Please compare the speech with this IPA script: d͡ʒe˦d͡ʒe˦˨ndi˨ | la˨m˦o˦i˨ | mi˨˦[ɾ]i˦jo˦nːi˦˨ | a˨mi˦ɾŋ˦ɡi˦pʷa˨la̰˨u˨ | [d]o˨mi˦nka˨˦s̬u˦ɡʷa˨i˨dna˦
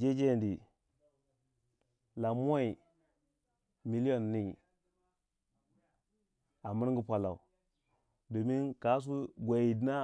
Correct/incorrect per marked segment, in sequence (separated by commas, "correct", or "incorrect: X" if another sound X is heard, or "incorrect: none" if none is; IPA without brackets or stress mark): incorrect: l, correct